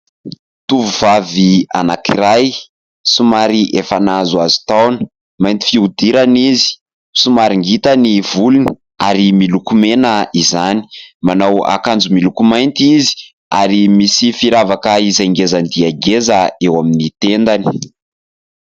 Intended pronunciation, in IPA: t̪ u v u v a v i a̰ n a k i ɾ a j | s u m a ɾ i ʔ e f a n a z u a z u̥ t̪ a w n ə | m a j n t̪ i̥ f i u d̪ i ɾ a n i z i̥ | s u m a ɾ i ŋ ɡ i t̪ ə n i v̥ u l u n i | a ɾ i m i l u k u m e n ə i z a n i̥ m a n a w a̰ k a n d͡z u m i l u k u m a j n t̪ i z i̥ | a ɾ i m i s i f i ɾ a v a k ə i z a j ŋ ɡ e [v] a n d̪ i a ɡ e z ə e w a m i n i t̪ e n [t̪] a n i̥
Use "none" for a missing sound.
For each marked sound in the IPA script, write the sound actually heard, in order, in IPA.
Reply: z, d̪

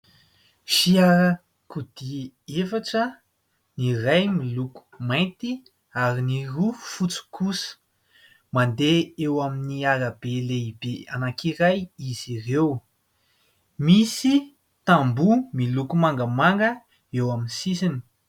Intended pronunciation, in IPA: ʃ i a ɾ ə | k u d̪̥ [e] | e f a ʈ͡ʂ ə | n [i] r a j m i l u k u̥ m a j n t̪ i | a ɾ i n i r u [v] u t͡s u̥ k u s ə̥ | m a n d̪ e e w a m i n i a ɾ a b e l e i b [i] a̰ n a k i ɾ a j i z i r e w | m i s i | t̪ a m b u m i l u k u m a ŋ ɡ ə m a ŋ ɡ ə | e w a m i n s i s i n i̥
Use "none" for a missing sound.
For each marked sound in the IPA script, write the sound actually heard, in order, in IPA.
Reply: i, i, f, e

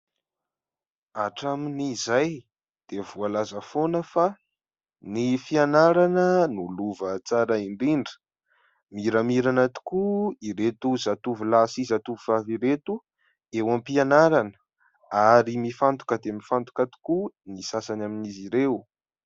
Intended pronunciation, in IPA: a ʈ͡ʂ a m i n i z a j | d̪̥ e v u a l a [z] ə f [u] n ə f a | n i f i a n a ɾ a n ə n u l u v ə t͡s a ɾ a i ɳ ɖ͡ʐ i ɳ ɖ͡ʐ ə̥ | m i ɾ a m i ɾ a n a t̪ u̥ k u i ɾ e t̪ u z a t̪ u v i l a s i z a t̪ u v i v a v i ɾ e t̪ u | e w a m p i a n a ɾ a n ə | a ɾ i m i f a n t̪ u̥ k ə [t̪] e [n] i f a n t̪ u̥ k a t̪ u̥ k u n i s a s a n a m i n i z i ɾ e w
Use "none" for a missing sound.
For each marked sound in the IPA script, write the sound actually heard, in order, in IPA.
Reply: z, o, d̪, m

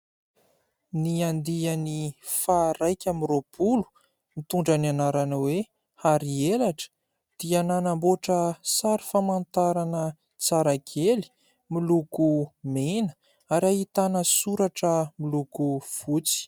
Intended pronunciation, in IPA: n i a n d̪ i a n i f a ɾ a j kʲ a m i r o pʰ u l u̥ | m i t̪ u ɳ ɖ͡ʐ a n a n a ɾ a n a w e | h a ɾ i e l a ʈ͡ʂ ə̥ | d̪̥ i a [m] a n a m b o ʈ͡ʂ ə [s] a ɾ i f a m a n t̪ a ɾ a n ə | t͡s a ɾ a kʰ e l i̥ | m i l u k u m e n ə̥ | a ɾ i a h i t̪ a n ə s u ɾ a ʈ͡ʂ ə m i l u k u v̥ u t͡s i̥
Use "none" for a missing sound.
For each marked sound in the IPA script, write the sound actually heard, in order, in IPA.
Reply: n, s

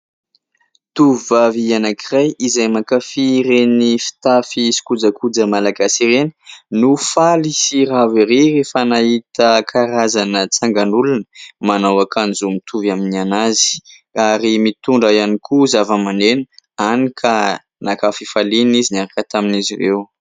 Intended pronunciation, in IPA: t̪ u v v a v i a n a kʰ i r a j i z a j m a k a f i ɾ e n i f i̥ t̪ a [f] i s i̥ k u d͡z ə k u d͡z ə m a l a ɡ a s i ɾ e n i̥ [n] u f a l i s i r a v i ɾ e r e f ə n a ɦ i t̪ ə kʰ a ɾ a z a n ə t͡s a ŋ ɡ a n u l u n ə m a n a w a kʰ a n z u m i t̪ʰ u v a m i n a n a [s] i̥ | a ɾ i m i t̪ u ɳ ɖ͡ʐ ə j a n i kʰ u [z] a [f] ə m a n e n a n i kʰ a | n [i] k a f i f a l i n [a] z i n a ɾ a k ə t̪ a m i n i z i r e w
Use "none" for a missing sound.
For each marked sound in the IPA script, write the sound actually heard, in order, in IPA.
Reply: f, n, z, z, v, a, i

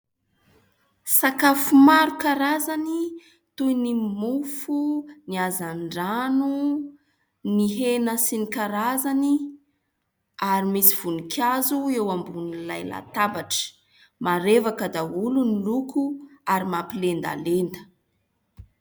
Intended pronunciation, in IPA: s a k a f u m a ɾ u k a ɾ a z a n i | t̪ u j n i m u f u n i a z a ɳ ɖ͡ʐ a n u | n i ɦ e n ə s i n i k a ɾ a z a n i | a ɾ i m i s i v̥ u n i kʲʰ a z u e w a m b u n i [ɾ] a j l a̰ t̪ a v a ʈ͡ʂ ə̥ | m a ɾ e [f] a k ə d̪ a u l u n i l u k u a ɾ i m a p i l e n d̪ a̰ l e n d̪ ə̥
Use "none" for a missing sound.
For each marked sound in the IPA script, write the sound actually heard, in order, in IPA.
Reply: l, v

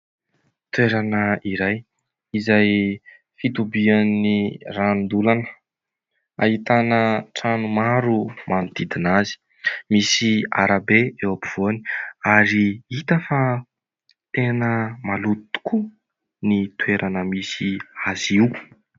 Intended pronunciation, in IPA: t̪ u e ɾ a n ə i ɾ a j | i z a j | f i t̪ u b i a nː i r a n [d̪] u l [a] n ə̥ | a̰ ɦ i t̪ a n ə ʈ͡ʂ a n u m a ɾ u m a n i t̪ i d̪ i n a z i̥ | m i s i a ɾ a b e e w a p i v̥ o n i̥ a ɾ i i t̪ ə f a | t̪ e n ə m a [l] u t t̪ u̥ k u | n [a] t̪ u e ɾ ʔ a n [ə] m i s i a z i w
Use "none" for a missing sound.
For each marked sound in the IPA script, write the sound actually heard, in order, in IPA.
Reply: d̪, a, l, i, ə

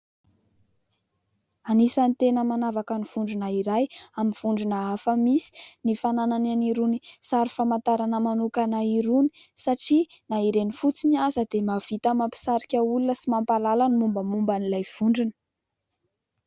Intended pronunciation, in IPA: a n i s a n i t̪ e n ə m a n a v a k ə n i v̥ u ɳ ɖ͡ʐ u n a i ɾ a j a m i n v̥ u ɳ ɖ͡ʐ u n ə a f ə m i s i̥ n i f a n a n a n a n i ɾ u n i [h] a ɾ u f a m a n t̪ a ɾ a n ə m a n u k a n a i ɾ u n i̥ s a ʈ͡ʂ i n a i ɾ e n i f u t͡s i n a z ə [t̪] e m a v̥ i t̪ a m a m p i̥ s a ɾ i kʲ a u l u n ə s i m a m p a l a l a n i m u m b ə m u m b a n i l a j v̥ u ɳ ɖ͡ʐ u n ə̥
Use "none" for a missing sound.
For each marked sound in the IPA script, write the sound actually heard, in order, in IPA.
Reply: s, d̪

